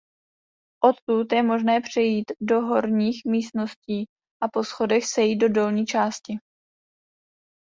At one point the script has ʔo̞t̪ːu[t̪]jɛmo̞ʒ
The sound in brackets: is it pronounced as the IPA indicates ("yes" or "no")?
yes